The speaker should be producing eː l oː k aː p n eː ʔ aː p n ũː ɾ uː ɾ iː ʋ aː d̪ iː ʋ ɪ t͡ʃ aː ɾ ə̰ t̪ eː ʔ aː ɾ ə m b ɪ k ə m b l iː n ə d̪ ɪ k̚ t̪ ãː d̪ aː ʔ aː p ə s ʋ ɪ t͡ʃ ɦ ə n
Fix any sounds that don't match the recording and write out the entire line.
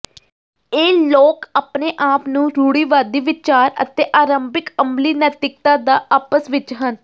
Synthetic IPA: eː l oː k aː p n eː ʔ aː p n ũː ɾ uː ɽ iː ʋ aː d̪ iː ʋ ɪ t͡ʃ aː ɾ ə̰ t̪ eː ʔ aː ɾ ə m b ɪ k ə m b l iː n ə t̪ ɪ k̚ t̪ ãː d̪ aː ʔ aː p ə s ʋ ɪ t͡ʃ ɦ ə n